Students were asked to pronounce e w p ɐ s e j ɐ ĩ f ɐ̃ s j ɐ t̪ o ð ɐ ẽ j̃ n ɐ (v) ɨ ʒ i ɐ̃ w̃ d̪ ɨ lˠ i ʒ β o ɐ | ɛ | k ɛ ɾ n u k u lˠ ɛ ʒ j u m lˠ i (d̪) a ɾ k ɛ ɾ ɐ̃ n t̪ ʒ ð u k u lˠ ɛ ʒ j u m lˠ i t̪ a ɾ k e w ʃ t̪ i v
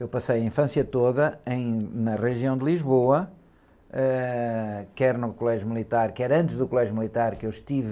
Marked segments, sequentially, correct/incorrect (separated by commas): incorrect, incorrect